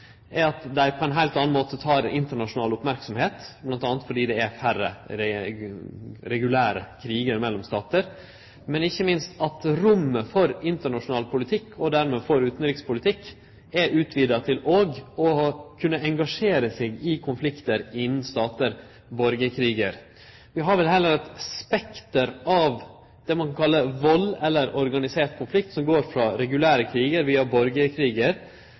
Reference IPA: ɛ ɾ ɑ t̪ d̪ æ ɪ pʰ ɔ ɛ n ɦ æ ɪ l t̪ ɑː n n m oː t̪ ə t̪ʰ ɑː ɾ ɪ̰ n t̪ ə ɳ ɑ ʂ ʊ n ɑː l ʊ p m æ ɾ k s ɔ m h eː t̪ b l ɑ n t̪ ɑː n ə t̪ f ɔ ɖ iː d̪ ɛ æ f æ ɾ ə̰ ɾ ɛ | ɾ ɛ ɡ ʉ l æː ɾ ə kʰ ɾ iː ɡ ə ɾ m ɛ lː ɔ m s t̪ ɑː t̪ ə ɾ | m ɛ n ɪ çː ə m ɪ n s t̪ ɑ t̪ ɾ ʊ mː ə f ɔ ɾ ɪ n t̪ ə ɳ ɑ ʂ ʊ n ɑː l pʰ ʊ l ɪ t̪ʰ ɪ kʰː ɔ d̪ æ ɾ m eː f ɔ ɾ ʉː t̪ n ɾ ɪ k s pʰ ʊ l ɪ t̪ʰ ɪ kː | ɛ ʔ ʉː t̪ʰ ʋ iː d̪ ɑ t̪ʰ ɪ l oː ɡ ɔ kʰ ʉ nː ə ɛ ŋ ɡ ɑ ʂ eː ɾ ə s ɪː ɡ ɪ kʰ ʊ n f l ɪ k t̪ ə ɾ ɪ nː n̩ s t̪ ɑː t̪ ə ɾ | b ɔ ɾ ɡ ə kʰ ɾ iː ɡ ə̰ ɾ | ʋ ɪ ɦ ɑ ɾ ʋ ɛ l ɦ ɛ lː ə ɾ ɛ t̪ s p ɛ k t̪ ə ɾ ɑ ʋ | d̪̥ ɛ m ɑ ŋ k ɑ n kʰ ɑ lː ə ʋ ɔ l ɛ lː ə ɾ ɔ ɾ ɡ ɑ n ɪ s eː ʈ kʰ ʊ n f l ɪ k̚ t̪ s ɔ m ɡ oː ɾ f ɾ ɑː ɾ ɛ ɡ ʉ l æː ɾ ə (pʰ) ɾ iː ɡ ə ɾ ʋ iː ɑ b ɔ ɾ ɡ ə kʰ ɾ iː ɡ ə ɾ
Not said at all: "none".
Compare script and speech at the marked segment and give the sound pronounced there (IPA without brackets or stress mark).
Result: kʰ